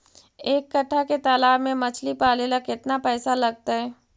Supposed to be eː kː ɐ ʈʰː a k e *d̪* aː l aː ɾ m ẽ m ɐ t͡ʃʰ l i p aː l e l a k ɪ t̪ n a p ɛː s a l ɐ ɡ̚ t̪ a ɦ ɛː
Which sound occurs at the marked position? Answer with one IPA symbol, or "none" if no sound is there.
t̪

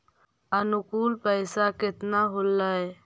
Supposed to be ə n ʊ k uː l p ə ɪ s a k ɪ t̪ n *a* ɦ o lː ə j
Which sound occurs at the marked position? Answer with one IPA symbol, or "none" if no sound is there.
a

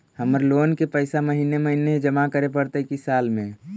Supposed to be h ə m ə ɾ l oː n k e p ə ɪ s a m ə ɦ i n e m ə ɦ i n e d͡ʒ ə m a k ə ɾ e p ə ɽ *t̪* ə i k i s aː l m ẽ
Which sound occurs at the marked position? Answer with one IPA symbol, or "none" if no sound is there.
t̪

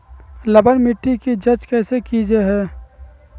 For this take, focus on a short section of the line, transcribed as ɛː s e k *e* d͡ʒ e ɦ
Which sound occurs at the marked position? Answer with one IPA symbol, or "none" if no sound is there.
i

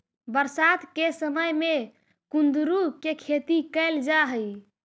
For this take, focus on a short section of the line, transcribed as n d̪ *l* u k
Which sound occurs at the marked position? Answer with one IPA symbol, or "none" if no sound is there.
ɾ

